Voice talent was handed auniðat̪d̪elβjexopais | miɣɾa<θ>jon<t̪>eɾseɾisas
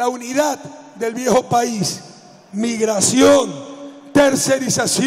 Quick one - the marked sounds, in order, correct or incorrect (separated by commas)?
incorrect, correct